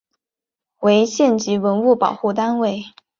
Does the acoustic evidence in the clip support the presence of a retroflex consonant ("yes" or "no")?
no